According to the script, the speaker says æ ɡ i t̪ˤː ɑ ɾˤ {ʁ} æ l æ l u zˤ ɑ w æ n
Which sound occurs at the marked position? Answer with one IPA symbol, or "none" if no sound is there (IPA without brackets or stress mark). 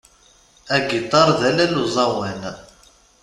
ð